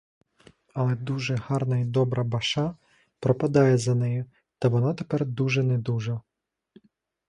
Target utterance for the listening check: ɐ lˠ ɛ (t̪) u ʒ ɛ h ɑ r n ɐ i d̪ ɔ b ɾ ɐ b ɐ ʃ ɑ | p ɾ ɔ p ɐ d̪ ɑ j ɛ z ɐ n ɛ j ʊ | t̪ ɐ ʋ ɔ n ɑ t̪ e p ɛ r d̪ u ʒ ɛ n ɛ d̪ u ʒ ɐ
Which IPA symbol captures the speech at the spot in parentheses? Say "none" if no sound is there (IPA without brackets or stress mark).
d̪